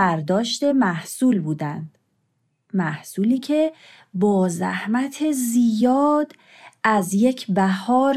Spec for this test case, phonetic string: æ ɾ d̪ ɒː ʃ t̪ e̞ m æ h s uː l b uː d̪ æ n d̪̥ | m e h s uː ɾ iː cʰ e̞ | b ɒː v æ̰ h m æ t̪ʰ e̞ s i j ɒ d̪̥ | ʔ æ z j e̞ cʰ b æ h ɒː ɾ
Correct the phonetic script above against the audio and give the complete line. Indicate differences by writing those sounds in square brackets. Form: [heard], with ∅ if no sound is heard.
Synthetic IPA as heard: æ ɾ d̪ ɒː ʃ t̪ e̞ m æ h s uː l b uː d̪ æ n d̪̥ | m [æ] h s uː [l] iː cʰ e̞ | b ɒː [z] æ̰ h m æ t̪ʰ e̞ [z] i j [ɒː] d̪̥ | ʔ æ z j e̞ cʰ b æ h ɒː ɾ